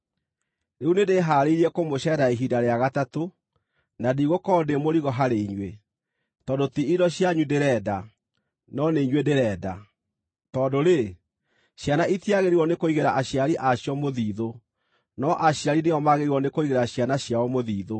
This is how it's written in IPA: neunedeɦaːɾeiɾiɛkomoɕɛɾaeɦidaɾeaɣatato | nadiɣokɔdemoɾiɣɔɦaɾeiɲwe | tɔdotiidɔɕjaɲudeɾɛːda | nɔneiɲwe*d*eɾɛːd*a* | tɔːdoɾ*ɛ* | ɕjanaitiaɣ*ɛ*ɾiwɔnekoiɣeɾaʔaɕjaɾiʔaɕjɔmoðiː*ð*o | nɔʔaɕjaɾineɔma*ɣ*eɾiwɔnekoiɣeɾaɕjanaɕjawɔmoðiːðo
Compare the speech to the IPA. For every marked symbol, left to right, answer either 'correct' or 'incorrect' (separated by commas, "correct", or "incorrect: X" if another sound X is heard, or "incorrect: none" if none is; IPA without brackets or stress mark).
correct, correct, incorrect: e, incorrect: e, correct, correct